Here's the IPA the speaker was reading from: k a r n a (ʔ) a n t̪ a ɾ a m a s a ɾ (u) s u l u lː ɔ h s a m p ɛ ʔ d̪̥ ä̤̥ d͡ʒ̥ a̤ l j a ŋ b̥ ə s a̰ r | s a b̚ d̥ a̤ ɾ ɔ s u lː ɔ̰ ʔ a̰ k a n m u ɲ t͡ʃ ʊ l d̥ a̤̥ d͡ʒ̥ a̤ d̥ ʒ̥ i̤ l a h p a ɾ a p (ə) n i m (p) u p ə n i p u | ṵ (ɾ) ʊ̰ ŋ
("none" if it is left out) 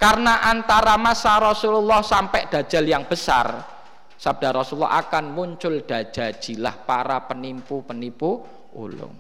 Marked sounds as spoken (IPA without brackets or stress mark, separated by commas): ʔ, ɔ, ə, p, l